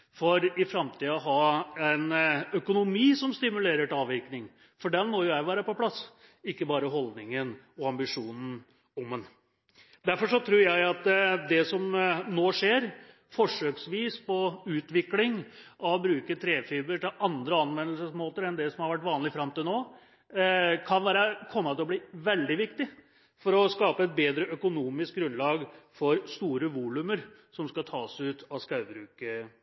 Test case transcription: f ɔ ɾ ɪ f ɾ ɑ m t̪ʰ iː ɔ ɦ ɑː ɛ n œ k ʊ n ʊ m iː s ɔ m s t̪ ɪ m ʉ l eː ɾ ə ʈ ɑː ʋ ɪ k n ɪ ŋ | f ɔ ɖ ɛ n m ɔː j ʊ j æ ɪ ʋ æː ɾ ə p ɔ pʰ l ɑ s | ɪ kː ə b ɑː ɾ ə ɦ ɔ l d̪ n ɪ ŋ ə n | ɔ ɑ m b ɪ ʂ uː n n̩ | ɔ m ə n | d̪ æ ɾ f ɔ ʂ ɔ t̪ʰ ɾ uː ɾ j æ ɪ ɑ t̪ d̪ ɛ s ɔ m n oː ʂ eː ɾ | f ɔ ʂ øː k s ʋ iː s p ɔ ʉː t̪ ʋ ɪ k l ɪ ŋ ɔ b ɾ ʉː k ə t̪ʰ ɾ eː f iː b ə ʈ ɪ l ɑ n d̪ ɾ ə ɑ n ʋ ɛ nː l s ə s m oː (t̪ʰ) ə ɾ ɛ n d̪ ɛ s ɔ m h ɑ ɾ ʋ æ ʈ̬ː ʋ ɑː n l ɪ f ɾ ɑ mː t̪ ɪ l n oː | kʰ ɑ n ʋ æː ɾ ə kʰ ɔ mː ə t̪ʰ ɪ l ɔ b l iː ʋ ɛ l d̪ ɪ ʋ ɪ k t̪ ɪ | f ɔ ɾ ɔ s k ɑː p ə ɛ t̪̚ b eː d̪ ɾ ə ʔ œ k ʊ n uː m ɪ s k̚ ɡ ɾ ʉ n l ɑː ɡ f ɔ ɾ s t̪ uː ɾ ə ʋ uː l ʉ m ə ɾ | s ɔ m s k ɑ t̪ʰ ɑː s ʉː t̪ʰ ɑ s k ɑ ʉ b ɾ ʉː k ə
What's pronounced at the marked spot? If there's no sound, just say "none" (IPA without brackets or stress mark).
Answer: t̪